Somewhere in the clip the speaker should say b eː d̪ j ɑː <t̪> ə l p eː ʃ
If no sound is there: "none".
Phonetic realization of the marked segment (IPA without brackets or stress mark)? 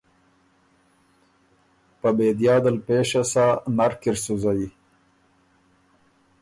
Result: d̪